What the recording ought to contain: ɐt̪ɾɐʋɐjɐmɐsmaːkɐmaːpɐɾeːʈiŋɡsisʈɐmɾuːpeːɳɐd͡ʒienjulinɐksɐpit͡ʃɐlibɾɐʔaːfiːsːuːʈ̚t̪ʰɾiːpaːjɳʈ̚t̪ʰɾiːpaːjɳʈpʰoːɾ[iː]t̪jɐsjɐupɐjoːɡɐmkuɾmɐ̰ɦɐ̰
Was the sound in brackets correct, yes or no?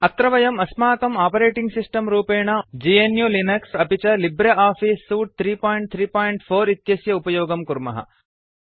no